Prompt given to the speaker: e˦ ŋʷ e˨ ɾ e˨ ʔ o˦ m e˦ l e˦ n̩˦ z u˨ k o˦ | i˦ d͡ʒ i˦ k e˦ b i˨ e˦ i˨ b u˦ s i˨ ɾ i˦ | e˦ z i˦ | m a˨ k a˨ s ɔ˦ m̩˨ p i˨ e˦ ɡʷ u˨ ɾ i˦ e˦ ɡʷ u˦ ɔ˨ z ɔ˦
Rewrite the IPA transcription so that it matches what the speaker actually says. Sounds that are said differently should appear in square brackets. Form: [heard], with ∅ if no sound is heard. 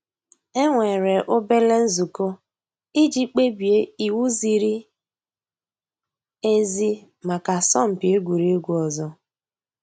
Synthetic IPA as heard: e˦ ŋʷ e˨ ɾ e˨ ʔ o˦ [b] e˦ l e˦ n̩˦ z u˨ k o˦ | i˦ d͡ʒ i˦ [k͡p] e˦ b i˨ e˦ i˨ [w] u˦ [z] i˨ ɾ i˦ | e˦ z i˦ | m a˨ k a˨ s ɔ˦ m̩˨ p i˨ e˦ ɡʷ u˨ ɾ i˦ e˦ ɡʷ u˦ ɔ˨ z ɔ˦